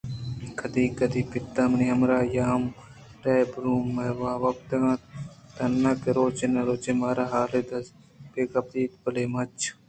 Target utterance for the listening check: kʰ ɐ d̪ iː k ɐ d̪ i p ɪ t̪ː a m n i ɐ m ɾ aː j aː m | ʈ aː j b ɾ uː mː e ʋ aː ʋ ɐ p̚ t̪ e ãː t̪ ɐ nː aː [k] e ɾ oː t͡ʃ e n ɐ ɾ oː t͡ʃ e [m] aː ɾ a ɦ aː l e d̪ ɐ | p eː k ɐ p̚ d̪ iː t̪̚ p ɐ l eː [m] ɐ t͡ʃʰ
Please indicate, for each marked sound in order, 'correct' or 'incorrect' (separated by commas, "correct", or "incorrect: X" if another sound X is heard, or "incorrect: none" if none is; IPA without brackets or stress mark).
correct, correct, correct